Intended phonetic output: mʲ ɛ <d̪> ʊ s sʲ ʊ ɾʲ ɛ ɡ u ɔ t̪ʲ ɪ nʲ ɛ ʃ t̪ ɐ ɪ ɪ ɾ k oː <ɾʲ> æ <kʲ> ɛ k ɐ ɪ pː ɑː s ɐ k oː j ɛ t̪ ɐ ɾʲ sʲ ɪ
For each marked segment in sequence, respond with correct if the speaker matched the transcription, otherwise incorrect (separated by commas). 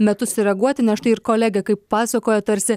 incorrect, incorrect, incorrect